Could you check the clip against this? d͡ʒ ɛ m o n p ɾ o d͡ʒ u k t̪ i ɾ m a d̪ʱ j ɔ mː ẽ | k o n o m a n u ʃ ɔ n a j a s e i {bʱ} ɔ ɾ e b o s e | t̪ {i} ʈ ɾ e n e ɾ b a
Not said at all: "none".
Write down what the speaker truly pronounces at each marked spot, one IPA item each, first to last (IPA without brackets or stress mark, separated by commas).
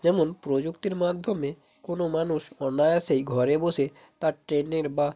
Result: ɡʱ, a